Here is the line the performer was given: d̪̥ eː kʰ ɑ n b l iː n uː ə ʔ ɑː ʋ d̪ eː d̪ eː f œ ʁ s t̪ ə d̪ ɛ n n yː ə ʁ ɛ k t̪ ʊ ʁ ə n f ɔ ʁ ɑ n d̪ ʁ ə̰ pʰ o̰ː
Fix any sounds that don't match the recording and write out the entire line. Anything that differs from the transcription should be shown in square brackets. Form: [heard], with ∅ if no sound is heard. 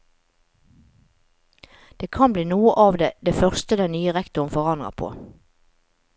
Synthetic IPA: d̪̥ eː kʰ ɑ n b l iː n uː ə ʔ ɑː ʋ d̪ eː d̪ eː f œ ʁ s t̪ ə d̪ ɛ n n yː ə ʁ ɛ k t̪ ʊ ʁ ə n f ɔ ʁ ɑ n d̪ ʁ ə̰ pʰ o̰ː